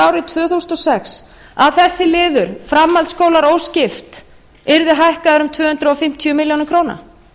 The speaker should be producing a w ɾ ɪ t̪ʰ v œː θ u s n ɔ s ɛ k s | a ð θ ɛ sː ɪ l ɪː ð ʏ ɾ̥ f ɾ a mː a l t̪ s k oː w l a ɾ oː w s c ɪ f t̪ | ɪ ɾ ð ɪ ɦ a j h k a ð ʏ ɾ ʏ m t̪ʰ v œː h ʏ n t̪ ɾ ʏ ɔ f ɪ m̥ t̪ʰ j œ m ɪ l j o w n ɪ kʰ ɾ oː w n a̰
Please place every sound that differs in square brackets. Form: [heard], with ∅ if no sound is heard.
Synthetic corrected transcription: a w ɾ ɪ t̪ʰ v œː θ u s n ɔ s ɛ k s | a ð θ ɛ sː ɪ l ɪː ð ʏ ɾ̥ f ɾ a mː a l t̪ s k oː w l a ɾ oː w s c ɪ f t̪ | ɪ ɾ ð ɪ ɦ a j h k a ð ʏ ɾ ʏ m t̪ʰ v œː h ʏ n t̪ ɾ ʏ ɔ f ɪ m̥ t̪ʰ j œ m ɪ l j o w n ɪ kʰ ɾ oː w n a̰

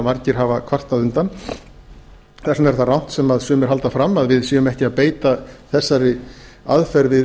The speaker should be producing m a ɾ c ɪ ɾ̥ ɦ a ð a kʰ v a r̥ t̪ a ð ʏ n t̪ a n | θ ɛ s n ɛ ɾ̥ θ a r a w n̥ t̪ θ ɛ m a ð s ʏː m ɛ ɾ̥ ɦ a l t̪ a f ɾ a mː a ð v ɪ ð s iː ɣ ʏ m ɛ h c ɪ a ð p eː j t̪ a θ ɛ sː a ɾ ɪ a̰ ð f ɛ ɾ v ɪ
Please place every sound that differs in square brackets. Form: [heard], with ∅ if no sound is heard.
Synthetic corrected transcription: m a ɾ c ɪ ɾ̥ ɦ a [v] a kʰ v a r̥ t̪ a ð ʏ n t̪ a n | θ ɛ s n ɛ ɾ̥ θ a r a w n̥ t̪ [s] ɛ m a ð s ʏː m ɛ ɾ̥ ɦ a l t̪ a f ɾ a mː a ð v ɪ ð s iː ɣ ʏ m ɛ h c ɪ a ð p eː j t̪ a θ ɛ sː a ɾ ɪ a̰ ð f ɛ ɾ v ɪ

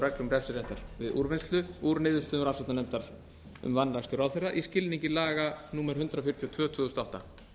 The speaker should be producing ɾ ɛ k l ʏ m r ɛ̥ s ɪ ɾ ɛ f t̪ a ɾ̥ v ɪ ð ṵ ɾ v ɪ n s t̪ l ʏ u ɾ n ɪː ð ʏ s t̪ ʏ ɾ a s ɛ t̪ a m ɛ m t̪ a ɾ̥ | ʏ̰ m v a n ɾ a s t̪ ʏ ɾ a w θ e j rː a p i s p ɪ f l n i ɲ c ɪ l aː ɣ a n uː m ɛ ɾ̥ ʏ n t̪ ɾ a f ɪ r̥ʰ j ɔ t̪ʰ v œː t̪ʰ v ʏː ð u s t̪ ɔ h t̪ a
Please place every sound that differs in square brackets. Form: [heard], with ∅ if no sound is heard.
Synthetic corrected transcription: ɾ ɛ k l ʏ m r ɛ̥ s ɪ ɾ ɛ [h] t̪ a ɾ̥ v ɪ ð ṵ ɾ v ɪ n s t̪ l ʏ u ɾ n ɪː ð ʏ s t̪ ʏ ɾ a s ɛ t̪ a [n] ɛ m t̪ a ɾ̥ | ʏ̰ m v a n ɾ a s t̪ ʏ ɾ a w θ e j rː a [ʔ] i s [c] ɪ [∅] l n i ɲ c ɪ l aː ɣ a n uː m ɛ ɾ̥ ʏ n t̪ ɾ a f ɪ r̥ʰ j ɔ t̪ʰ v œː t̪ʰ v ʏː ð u s t̪ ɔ h t̪ a

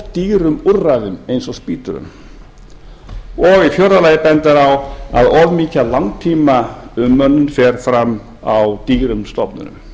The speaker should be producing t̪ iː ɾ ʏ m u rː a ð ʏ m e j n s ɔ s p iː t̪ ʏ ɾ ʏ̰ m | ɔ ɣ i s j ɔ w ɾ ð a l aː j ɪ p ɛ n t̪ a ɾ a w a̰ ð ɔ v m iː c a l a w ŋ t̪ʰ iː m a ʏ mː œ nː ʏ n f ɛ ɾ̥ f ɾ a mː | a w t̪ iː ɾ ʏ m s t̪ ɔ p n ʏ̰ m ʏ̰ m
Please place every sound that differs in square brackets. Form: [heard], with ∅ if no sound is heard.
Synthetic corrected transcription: t̪ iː ɾ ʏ m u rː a ð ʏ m e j n s ɔ s p iː t̪ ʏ ɾ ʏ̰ m | ɔ ɣ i [f] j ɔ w ɾ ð a l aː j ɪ p ɛ n t̪ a ɾ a w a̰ ð ɔ v m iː c a l a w ŋ t̪ʰ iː m a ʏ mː œ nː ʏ n f ɛ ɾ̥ f ɾ a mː | a w t̪ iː ɾ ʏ m s t̪ ɔ p n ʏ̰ [n] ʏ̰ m

